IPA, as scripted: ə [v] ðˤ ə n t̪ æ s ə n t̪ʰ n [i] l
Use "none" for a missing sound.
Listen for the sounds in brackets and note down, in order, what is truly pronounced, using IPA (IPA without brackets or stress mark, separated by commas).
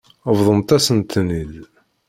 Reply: v, i